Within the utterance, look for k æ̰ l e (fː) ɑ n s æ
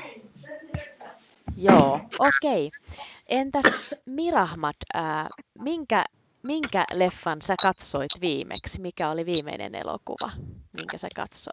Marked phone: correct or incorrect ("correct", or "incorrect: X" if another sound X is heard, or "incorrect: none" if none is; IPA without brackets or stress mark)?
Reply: correct